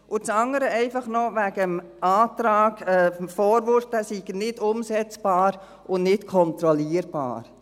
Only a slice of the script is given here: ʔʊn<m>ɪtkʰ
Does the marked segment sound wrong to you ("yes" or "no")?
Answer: yes